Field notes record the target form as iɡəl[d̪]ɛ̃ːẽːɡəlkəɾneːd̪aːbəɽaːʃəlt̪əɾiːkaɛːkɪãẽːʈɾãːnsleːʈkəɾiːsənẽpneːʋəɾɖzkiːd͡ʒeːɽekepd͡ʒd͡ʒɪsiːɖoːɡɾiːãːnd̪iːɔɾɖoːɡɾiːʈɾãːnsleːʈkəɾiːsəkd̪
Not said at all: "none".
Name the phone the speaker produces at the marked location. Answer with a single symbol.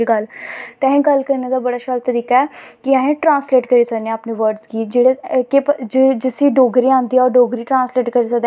t̪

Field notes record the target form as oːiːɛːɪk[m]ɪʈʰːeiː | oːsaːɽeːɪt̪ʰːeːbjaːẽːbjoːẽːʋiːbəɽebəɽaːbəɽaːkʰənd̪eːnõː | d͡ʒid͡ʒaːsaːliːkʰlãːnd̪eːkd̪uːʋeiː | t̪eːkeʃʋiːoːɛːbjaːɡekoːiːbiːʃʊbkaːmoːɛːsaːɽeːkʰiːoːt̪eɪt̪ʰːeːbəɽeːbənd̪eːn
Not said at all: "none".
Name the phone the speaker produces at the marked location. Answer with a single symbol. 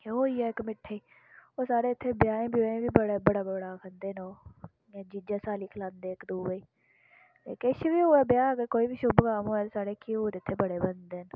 m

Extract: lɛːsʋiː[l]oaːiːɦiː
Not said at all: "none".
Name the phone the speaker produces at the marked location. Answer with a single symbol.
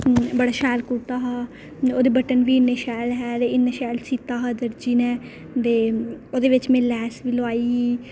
l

